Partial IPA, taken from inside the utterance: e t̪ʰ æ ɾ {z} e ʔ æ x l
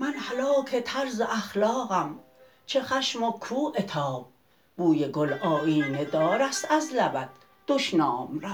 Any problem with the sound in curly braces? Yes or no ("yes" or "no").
no